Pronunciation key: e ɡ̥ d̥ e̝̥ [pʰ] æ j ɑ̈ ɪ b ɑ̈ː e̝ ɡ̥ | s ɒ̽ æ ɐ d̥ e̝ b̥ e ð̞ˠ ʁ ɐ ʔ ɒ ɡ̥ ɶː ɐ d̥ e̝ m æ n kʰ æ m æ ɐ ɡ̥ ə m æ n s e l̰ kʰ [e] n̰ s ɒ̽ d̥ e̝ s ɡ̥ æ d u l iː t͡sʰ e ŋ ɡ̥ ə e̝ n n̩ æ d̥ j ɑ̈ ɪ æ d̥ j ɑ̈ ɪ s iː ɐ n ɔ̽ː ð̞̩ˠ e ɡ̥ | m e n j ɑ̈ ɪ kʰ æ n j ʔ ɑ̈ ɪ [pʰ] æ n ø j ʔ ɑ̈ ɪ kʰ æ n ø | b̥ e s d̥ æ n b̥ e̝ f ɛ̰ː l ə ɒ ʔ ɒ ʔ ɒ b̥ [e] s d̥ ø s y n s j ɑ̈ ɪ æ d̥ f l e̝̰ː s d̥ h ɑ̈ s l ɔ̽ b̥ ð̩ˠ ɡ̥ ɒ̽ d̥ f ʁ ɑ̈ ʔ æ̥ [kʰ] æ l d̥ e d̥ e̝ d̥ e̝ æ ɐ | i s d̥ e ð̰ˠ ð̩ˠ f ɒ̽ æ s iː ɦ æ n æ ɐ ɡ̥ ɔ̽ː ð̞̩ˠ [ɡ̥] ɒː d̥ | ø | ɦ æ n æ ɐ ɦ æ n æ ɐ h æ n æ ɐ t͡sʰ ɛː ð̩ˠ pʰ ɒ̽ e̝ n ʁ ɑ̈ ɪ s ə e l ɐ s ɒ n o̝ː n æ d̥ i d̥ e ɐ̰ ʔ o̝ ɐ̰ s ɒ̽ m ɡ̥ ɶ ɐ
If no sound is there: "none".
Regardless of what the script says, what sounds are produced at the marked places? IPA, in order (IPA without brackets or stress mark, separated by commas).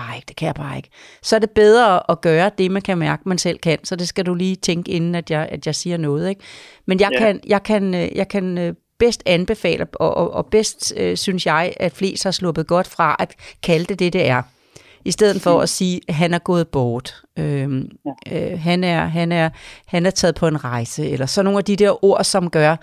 kʰ, æ, kʰ, e, kʰ, b̥